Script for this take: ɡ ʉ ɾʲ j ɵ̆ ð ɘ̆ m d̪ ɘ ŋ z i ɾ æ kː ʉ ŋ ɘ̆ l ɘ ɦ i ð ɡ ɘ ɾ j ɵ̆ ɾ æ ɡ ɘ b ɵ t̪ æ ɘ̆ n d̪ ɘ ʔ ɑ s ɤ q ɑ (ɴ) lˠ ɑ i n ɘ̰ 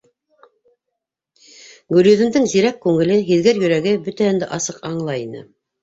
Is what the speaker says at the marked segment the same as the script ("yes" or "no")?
yes